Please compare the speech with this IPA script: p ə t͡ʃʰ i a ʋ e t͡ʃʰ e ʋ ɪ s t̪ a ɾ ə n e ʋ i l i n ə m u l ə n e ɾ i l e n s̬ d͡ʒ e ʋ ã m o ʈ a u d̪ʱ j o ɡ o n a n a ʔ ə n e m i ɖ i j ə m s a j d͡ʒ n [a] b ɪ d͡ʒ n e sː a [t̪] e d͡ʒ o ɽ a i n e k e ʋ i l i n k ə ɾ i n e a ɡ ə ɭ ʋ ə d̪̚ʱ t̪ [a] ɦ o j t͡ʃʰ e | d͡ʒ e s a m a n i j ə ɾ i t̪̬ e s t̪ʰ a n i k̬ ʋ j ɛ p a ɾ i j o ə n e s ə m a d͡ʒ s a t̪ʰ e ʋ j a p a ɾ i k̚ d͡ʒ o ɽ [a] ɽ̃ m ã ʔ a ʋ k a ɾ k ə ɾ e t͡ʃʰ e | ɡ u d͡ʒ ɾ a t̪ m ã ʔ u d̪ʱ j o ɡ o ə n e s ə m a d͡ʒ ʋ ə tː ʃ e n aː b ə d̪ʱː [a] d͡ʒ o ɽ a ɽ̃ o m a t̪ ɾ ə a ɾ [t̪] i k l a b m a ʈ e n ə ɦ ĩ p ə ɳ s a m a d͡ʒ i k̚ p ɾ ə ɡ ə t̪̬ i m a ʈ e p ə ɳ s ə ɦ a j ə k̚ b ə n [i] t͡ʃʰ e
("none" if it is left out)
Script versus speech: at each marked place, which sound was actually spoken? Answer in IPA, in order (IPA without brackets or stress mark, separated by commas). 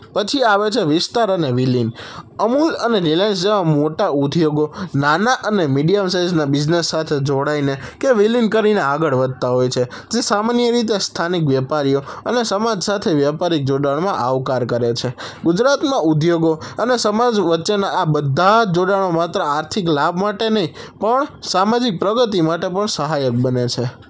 a, t̪ʰ, a, a, a, t̪ʰ, e